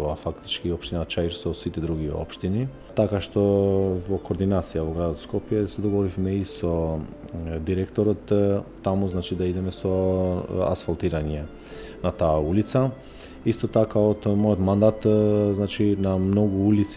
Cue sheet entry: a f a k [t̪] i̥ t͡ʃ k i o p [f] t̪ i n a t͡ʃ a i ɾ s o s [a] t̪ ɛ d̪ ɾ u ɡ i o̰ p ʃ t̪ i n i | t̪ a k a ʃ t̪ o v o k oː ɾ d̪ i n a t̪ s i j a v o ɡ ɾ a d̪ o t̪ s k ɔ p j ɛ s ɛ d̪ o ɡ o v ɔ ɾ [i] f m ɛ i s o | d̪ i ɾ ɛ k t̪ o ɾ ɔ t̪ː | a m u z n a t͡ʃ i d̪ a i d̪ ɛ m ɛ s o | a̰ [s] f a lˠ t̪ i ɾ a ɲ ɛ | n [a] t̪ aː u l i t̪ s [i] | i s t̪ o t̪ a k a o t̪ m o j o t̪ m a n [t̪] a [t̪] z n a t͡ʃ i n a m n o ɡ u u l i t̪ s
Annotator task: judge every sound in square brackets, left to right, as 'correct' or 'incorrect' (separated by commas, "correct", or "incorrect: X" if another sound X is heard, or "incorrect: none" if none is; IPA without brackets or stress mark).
correct, incorrect: ʃ, incorrect: i, correct, correct, correct, incorrect: a, incorrect: d̪, correct